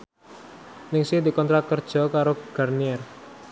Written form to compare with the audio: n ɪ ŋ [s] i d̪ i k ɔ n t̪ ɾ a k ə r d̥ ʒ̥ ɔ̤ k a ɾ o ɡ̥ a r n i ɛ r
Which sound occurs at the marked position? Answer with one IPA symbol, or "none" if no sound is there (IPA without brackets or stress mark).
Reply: s